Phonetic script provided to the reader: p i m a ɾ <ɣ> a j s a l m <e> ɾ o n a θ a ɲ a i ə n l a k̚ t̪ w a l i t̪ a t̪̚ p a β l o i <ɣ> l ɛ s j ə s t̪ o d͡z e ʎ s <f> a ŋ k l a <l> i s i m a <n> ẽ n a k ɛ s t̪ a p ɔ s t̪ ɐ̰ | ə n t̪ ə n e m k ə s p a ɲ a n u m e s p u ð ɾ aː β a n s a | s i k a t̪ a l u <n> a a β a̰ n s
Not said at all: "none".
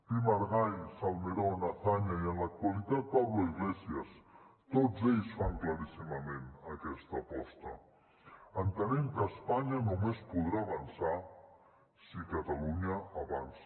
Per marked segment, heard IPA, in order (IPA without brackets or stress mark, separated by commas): ɣ, e, ɣ, f, ɾ, m, ɲ